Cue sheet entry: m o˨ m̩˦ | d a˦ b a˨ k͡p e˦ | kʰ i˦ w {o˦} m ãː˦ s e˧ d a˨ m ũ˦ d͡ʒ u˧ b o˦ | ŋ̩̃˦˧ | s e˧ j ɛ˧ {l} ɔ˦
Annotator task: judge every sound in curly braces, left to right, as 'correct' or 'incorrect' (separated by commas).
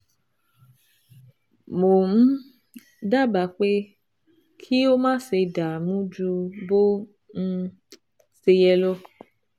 correct, correct